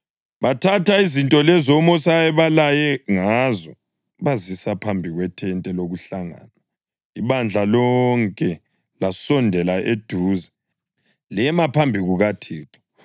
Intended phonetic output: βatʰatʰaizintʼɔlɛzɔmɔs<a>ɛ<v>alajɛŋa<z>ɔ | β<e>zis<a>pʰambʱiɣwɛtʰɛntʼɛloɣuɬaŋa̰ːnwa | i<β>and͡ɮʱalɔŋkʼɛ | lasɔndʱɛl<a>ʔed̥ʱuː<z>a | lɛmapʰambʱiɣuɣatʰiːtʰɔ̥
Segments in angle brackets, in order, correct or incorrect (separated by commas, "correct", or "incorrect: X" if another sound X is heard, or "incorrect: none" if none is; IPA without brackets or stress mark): correct, incorrect: β, correct, incorrect: a, correct, correct, correct, correct